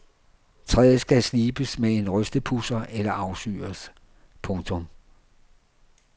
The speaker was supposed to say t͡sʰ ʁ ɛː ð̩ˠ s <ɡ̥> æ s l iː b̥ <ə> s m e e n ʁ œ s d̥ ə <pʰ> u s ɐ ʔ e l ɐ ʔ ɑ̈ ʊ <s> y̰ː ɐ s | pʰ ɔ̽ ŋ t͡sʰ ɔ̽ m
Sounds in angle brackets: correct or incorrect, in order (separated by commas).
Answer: correct, correct, correct, correct